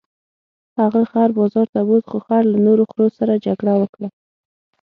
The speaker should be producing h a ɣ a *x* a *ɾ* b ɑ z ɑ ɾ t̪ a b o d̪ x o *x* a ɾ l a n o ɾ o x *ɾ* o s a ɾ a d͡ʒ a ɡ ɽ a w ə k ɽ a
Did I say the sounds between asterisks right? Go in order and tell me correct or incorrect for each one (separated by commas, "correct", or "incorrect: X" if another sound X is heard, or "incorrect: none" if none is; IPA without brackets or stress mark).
correct, correct, correct, correct